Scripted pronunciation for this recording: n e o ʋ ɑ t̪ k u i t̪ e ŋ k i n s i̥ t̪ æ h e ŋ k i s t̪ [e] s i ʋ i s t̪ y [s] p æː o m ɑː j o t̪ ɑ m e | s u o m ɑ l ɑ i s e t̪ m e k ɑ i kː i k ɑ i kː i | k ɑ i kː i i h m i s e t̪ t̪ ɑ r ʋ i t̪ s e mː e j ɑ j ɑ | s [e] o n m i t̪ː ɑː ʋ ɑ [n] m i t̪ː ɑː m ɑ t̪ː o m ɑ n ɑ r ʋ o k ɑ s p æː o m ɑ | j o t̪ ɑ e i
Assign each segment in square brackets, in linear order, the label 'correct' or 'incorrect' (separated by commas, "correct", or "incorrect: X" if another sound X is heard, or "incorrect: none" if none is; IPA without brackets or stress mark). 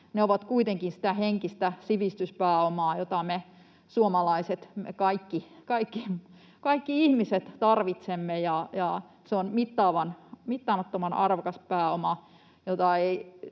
incorrect: æ, correct, correct, correct